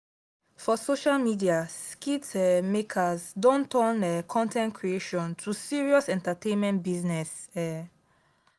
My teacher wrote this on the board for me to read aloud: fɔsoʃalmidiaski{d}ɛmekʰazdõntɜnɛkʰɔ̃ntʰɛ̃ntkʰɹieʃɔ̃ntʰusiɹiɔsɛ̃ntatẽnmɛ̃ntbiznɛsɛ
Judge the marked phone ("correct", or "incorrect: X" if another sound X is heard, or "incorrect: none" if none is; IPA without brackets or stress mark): incorrect: t